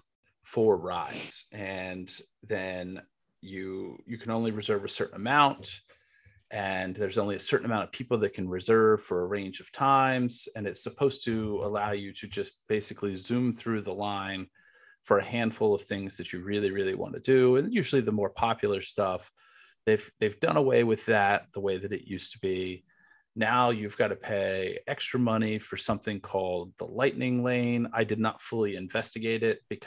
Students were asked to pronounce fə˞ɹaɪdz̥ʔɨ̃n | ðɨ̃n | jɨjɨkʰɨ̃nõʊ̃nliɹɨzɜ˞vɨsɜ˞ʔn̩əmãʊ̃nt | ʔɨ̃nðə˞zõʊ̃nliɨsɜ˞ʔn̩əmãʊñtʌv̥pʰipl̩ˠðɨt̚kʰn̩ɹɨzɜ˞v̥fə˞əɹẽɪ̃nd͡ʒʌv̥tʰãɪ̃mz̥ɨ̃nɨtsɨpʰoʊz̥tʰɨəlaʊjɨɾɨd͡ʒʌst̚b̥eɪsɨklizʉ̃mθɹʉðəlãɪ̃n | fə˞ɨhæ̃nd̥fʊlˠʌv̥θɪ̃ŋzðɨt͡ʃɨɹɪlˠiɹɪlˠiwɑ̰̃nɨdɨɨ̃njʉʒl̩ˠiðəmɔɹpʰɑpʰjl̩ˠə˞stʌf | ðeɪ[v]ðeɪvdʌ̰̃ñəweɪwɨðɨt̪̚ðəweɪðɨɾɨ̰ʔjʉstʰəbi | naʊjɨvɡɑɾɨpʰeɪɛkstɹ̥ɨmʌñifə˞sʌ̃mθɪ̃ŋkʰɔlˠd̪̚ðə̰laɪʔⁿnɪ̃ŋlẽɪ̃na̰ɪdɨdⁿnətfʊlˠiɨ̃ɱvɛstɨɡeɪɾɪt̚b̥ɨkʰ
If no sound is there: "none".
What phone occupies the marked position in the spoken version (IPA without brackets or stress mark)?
v